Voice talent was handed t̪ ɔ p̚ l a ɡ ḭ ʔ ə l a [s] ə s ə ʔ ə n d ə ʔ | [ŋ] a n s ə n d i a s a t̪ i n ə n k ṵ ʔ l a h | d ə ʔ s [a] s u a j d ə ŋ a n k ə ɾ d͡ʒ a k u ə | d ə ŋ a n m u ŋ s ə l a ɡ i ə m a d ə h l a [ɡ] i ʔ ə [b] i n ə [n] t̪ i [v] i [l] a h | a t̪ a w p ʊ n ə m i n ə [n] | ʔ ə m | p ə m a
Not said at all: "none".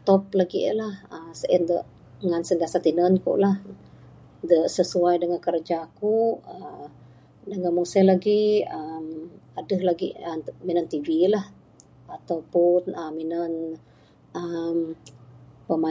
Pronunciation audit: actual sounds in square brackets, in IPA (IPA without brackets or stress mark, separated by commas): h, ŋ, ə, ɡ, m, n, v, l, n